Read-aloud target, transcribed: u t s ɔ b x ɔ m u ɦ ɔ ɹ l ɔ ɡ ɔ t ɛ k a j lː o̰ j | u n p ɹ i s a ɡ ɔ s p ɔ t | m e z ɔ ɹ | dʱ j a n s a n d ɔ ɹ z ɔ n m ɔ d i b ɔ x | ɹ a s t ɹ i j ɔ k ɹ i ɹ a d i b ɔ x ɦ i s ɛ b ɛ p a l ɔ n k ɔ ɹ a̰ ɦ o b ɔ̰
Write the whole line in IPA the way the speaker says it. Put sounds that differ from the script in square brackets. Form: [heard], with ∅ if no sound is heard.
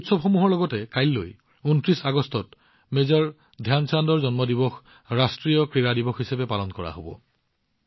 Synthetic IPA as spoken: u t s ɔ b x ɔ m u ɦ ɔ ɹ l ɔ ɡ ɔ t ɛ k a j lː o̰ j | u n [t] ɹ i s a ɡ ɔ s [t] ɔ t | m e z ɔ ɹ | dʱ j a n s a n d ɔ ɹ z ɔ n m ɔ d i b ɔ x | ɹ a s t ɹ i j ɔ k ɹ i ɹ a d i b ɔ x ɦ i s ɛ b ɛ p a l ɔ n k ɔ ɹ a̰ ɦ o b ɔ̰

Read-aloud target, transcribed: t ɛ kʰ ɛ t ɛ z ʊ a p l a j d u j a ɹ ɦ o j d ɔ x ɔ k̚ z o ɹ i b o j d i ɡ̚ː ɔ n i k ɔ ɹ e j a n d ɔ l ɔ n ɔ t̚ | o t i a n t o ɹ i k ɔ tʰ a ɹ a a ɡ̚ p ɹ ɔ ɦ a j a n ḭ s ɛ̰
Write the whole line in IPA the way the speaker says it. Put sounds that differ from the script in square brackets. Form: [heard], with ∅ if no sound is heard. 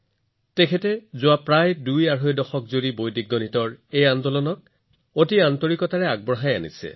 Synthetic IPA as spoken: t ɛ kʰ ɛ t ɛ z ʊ a p [ɹ] a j d u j a ɹ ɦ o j d ɔ x ɔ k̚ z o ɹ i b o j d i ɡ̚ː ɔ n i [t] ɔ ɹ e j a n d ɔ l ɔ n ɔ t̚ | o t i a n t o ɹ i k ɔ [t] a ɹ [ɛ] a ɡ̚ [b] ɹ ɔ ɦ a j a n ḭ s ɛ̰

